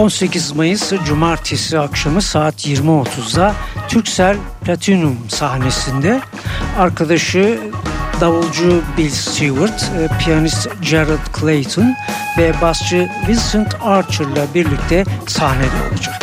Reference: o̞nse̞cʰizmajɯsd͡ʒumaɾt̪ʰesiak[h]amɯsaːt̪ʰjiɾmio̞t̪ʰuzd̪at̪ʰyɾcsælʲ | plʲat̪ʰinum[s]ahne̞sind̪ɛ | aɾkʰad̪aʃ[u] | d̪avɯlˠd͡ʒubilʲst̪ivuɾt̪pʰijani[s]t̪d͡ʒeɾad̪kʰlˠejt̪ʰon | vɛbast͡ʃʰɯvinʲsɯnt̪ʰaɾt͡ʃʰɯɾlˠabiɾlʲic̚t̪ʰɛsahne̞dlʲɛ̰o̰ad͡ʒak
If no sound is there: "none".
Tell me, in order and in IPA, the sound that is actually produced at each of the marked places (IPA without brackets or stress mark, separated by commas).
ʃ, s, ɯ, s